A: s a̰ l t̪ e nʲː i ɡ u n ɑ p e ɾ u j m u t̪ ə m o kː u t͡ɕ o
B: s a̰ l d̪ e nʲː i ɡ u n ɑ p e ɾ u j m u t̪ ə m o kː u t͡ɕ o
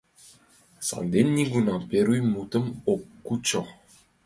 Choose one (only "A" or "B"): B